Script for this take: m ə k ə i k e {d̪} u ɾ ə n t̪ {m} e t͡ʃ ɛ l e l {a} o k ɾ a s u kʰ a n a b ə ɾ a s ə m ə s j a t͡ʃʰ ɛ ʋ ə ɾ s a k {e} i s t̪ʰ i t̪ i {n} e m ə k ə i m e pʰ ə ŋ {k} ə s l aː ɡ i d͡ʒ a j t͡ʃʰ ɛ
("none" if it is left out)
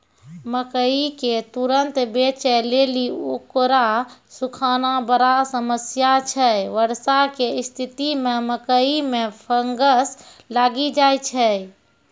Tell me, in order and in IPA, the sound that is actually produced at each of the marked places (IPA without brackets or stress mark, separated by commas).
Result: t̪, b, i, e, m, ɡ